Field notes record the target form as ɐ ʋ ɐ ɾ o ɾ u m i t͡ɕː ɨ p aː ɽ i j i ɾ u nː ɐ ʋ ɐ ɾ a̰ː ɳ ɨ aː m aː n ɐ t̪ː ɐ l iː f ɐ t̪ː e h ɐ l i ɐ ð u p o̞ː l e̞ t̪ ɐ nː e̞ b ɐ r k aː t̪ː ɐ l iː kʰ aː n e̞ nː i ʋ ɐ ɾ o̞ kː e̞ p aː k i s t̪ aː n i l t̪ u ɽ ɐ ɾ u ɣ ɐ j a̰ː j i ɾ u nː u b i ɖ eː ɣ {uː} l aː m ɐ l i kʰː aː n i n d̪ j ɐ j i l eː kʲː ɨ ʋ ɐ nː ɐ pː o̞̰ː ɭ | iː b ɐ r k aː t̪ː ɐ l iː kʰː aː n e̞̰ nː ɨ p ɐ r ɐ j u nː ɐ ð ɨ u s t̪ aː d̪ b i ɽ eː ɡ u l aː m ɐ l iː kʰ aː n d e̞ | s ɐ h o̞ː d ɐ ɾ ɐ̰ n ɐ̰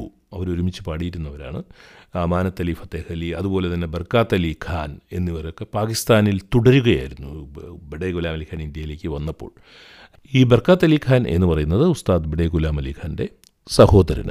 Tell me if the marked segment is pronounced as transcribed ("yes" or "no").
no